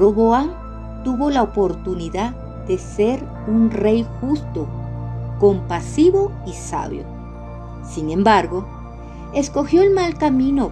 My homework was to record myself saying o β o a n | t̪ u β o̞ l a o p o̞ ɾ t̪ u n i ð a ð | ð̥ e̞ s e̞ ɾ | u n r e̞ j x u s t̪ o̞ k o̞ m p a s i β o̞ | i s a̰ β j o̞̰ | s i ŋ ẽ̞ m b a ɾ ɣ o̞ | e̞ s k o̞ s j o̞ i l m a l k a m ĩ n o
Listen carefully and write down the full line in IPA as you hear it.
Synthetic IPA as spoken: o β o a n | t̪ u β o̞ l a o p o̞ ɾ t̪ u n i ð a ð | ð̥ e̞ s e̞ ɾ | u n r e̞ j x u s t̪ o̞ k o̞ m p a s i β o̞ | i s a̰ β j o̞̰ | s i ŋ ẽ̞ m b a ɾ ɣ o̞ | e̞ s k o̞ x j o̞ e l m a l k a m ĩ n o